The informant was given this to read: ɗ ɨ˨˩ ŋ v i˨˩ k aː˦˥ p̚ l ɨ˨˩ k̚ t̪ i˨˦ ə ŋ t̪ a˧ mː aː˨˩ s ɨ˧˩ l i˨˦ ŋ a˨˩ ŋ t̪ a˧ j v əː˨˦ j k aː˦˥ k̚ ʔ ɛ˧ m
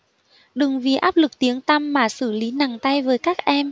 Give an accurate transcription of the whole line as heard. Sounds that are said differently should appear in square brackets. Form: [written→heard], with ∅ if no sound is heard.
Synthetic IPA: ɗ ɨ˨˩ ŋ v i˨˩ [k→ʔ] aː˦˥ p̚ l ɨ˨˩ k̚ t̪ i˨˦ ə ŋ t̪ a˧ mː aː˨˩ s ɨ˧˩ l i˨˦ [ŋ→n] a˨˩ ŋ t̪ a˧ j v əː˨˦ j k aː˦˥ k̚ ʔ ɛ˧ m

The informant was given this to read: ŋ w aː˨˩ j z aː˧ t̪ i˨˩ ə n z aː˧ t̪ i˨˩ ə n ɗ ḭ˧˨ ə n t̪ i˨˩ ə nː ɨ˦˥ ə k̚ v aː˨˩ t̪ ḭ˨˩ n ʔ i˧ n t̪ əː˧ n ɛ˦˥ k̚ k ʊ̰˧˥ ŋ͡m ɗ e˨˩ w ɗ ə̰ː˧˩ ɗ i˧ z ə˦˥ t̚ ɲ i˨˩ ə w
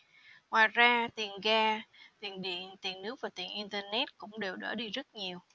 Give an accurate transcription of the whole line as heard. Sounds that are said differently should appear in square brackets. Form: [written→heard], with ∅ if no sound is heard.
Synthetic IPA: ŋ w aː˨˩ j z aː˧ t̪ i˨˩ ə n [z→ɣ] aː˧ t̪ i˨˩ ə n ɗ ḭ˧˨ ə n t̪ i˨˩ ə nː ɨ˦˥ ə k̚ v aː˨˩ t̪ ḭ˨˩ n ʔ i˧ n t̪ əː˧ n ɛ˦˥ [k̚→t̚] k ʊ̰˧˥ ŋ͡m ɗ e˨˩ w ɗ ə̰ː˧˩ ɗ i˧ z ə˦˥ t̚ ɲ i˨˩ ə w

